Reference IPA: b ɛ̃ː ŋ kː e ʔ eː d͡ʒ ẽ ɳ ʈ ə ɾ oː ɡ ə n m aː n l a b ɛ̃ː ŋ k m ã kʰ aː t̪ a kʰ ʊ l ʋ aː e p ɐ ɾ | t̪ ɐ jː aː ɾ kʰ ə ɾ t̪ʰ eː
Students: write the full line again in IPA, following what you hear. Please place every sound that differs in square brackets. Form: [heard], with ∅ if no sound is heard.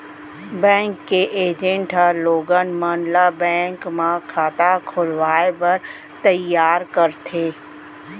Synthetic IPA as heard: b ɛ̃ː ŋ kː e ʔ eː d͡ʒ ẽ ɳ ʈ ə [l] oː ɡ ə n m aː n l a b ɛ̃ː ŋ k m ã kʰ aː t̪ a kʰ ʊ l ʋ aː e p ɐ ɾ | t̪ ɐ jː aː ɾ [k] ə ɾ t̪ʰ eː